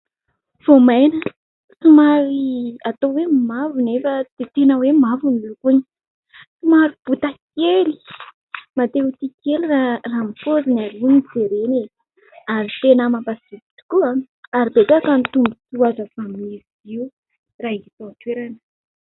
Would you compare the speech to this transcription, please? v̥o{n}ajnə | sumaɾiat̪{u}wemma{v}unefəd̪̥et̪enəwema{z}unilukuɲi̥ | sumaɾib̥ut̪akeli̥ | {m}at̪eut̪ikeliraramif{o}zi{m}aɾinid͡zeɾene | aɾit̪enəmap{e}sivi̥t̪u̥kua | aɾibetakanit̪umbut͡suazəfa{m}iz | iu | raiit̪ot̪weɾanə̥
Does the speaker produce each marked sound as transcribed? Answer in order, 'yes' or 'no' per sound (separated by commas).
no, no, yes, no, yes, yes, no, no, yes